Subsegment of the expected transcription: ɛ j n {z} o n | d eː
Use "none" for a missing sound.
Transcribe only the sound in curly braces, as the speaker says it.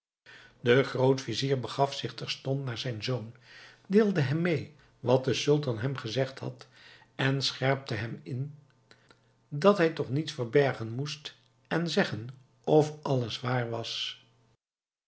z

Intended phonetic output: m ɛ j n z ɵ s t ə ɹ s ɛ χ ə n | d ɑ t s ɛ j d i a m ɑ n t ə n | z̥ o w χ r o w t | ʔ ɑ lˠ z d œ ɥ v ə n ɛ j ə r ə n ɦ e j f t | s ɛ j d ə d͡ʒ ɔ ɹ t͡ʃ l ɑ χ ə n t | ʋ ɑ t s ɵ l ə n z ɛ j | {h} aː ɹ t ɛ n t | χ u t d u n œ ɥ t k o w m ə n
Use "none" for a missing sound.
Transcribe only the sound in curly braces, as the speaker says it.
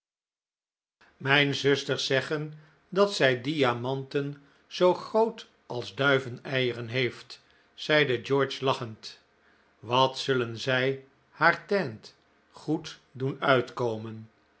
h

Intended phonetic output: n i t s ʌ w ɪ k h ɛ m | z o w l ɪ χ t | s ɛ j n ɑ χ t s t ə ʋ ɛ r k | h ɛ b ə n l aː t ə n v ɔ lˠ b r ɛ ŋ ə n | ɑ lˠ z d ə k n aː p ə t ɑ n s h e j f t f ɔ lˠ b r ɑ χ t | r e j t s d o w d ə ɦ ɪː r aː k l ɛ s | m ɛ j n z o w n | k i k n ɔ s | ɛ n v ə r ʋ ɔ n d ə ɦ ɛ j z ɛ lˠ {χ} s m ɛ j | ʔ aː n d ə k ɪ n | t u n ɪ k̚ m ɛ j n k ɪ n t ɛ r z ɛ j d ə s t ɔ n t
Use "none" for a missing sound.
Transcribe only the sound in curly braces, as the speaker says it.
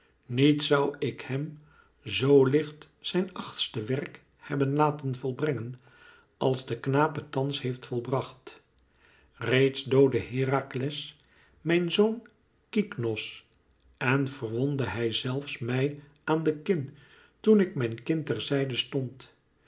f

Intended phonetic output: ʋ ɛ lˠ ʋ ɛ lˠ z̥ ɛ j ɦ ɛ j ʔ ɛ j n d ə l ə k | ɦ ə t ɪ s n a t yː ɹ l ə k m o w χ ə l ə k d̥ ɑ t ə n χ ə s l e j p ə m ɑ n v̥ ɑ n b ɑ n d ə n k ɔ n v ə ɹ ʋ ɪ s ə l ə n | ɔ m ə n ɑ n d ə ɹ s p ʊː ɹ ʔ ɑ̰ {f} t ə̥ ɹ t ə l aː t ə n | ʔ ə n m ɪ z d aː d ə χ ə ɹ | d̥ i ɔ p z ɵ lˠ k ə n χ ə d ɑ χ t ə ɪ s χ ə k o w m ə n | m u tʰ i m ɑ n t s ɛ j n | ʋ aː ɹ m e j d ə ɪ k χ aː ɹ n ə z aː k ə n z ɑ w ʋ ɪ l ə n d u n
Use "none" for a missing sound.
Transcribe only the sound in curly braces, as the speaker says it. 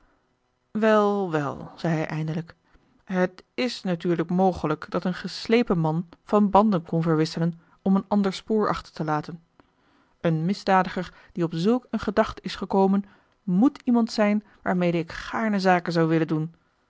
χ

